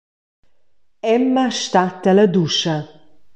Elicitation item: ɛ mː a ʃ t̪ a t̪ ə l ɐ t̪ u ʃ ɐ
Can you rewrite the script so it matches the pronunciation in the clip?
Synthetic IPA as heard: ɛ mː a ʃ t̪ a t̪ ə l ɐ d̪ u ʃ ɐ